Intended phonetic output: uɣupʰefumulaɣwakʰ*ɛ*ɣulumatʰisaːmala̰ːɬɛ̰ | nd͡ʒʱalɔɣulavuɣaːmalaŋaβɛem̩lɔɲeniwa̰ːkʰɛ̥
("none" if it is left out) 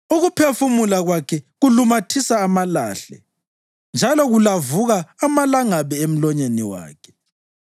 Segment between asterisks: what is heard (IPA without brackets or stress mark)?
ɛ